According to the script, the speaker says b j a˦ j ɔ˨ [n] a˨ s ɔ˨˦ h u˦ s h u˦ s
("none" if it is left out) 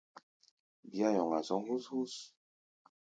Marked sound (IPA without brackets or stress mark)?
ŋ